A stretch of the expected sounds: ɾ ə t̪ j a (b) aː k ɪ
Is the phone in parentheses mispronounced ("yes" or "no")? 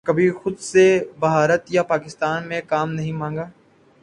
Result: yes